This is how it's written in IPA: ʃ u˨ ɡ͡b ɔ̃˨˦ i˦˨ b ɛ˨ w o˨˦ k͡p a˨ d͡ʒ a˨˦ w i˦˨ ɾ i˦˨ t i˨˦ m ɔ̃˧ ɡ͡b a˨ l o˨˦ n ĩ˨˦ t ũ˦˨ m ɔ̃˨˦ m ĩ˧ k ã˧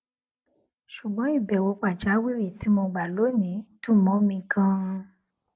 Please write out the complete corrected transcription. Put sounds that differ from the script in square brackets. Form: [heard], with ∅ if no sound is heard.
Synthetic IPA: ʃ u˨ ɡ͡b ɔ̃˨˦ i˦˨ b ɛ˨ w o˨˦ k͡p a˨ d͡ʒ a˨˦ w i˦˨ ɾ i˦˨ t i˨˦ m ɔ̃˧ ɡ͡b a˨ l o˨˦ n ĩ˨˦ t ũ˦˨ m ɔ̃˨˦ m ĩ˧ k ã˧